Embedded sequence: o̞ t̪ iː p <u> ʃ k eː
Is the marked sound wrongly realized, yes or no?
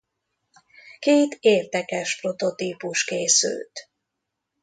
no